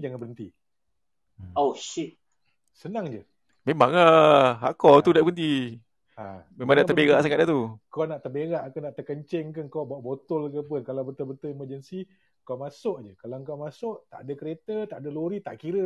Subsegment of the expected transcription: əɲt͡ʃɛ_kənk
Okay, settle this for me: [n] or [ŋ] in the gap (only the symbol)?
ŋ